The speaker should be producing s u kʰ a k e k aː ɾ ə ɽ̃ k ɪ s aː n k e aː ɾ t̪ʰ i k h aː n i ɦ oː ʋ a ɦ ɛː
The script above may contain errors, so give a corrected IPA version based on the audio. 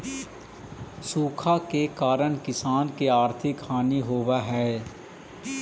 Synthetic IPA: s uː kʰ a k e k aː ɾ ə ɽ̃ k ɪ s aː n k e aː ɾ t̪ʰ ɪ k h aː n i ɦ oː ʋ a ɦ ɛː

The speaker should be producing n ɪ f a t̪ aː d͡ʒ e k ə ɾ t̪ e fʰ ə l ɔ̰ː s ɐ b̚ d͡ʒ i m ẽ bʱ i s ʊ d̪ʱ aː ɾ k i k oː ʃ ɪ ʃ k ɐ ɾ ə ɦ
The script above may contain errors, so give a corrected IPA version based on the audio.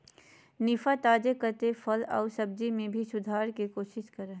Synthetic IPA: n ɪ f a t̪ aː d͡ʒ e k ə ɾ t̪ e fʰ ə l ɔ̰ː s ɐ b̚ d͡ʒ i m ẽ bʱ i s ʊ d̪ʱ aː ɾ k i k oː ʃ ɪ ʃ k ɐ ɾ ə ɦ

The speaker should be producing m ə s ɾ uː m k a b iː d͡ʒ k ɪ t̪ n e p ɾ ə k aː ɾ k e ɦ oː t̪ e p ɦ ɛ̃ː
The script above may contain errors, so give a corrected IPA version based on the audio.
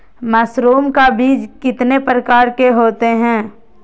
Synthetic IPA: m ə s ɾ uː m k a b iː d͡ʒ k ɪ t̪ n e p ɾ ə k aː ɾ k e ɦ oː t̪ e ɦ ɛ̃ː

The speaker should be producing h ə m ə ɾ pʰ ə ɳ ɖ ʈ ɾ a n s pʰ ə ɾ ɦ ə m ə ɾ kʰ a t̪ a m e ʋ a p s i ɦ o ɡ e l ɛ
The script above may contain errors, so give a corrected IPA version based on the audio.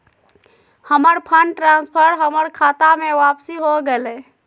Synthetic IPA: h ə m ə ɾ pʰ ə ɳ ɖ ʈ ɾ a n s pʰ ə ɾ ɦ ə m ə ɾ kʰ a t̪ a m e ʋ a p s i ɦ o ɡ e l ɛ

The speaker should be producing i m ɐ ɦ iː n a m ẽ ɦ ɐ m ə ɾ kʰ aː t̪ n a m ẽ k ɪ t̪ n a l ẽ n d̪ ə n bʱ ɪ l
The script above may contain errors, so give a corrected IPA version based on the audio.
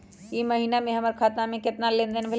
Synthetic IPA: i m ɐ ɦ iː n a m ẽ ɦ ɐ m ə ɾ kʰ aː t̪ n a m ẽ k ɪ t̪ n a l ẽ n d̪ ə n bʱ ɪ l

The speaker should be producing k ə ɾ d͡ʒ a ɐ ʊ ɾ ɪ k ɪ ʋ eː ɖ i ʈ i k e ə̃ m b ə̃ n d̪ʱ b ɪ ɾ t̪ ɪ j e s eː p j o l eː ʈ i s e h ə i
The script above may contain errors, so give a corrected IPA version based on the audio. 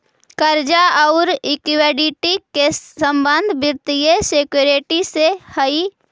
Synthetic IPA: k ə ɾ d͡ʒ a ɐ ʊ ɾ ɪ k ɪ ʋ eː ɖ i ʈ i k e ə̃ m b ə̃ n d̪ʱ b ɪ ɾ t̪ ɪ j e s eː k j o ɾ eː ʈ i s e h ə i

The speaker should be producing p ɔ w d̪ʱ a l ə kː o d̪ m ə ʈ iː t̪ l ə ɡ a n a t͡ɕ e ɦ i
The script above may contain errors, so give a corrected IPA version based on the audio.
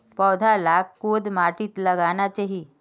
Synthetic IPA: p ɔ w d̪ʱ a l a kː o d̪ m a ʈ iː t̪ l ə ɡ a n a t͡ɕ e ɦ i

